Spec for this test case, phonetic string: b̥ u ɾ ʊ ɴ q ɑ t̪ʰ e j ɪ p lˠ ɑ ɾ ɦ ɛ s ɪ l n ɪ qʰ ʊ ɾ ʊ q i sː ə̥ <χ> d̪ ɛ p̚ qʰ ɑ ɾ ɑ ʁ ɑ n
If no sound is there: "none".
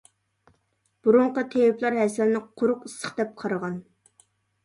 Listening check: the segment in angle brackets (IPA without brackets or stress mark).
χ